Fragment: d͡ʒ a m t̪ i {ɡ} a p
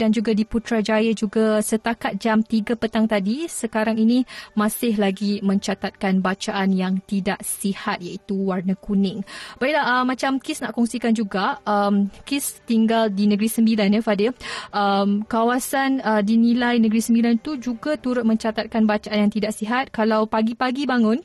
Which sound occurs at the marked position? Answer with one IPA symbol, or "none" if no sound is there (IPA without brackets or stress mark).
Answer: ɡ